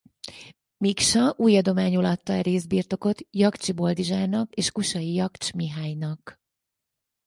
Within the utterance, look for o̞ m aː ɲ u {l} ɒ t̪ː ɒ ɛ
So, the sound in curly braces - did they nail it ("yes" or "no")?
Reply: yes